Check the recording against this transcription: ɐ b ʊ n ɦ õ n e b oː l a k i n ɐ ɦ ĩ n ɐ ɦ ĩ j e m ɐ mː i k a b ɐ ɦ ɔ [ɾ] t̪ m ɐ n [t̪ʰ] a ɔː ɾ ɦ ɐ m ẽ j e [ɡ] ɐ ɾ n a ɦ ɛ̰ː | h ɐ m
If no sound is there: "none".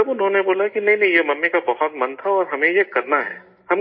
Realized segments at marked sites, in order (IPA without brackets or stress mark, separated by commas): none, t̪ʰ, k